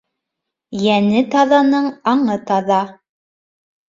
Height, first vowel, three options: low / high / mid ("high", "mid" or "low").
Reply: low